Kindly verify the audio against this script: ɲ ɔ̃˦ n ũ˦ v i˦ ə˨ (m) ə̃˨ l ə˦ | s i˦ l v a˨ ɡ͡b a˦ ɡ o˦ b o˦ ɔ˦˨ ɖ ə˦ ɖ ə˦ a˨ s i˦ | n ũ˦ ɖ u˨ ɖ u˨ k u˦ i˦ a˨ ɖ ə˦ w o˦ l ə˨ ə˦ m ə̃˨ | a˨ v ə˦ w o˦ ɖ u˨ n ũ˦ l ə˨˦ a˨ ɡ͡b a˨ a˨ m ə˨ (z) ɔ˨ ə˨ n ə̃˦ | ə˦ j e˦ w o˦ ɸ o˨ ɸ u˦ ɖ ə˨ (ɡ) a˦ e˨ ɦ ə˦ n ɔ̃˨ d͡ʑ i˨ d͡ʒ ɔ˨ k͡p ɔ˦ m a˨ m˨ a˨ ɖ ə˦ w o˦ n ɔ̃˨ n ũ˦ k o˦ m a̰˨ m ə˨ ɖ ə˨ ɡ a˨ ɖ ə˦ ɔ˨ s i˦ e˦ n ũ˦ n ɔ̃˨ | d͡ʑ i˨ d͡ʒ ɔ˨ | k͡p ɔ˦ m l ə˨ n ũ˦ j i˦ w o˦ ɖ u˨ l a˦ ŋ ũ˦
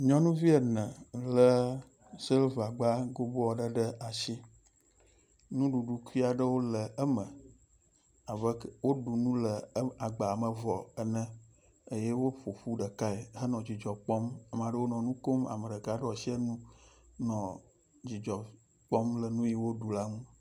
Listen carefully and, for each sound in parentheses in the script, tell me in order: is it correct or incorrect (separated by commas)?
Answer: incorrect, incorrect, incorrect